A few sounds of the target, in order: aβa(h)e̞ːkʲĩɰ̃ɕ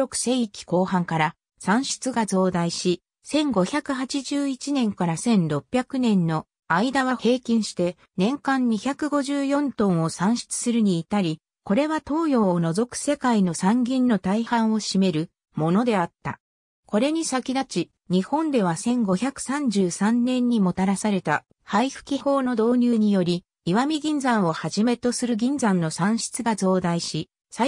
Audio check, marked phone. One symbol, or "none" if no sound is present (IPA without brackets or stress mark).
h